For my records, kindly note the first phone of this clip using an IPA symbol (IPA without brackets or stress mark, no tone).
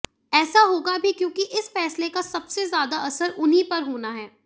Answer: ɛː